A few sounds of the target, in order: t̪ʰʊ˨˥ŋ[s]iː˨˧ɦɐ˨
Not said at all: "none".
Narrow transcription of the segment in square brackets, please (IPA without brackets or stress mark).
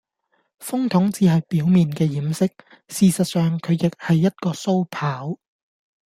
t͡s